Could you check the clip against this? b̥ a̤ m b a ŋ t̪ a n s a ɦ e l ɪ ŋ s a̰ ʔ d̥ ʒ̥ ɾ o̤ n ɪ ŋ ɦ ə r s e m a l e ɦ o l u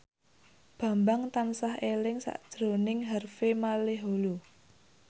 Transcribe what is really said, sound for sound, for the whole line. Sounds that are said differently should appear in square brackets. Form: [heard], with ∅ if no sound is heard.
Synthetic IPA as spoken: b̥ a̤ m b a ŋ t̪ a n s a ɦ e l ɪ ŋ s a̰ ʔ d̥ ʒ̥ ɾ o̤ n ɪ ŋ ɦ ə r [f] e m a l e ɦ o l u